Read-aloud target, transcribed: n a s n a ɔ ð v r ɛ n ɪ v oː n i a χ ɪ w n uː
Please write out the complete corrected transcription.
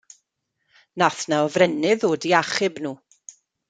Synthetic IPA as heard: n a θ n a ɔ v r ɛ n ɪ ð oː d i a χ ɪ b n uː